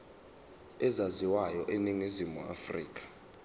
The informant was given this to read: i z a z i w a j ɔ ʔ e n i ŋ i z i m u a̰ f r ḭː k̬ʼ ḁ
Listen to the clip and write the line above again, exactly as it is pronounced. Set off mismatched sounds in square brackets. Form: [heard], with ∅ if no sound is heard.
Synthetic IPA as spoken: [ɛ] z a z i w a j ɔ ʔ e n i ŋ i z i m u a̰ f r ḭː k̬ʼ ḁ